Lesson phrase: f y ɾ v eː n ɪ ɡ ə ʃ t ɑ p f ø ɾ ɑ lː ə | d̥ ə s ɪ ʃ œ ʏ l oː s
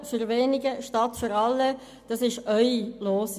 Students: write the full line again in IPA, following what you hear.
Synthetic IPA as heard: f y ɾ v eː n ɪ ɡ ə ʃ t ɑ t f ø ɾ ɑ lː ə | d̥ ɑ s ɪ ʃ œ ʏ l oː s